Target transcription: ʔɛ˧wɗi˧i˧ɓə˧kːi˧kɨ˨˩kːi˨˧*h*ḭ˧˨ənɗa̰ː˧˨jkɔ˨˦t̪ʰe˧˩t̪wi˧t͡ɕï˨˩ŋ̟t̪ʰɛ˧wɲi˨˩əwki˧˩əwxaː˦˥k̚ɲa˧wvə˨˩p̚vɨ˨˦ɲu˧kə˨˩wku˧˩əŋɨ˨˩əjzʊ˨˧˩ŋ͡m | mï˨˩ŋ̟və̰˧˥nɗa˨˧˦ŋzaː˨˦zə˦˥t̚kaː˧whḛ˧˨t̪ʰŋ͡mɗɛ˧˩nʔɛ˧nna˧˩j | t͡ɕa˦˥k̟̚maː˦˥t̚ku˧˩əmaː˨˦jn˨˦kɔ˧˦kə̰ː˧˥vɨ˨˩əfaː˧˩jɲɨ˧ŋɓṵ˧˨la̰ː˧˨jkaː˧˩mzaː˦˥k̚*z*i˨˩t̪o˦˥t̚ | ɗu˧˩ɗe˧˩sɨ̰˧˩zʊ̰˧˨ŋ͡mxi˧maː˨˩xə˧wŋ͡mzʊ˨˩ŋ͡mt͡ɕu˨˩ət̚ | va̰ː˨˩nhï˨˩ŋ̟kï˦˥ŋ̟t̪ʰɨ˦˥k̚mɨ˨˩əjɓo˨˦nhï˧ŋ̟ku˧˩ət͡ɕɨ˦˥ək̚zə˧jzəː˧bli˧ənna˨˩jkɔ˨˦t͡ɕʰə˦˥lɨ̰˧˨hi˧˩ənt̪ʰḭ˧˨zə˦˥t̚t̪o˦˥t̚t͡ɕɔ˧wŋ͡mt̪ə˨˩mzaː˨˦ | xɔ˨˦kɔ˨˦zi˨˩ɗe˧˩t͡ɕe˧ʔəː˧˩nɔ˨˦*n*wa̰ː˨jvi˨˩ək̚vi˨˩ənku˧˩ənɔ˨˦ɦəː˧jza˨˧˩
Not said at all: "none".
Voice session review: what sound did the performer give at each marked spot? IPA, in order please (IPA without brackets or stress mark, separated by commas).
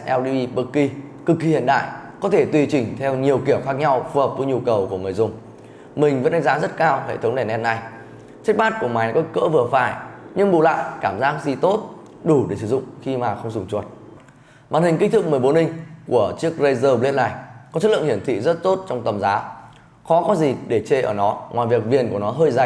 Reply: h, z, ŋ